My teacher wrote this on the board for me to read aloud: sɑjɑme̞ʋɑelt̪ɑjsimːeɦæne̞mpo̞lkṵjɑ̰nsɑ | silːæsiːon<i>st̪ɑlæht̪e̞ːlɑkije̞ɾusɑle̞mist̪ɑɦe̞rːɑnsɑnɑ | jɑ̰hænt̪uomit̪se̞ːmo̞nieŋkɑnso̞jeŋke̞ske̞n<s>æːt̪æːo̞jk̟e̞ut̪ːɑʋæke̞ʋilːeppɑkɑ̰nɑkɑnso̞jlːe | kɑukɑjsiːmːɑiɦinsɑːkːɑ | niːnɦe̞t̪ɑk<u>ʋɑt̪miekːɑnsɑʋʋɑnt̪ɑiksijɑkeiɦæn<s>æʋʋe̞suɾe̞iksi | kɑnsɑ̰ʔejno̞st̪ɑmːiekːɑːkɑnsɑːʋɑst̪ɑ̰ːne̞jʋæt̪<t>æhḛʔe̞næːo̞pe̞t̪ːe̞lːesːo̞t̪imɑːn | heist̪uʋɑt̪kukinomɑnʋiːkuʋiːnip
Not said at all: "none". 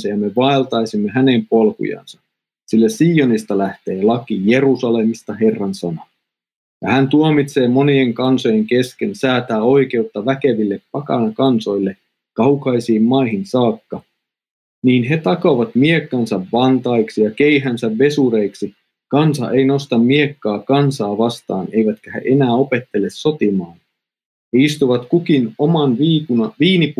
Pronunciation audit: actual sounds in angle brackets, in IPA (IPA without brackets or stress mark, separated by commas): i, s, o, s, k